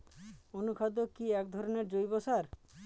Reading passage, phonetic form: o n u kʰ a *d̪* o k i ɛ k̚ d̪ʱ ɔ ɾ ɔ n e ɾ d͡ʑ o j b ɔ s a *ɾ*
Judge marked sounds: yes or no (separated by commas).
yes, yes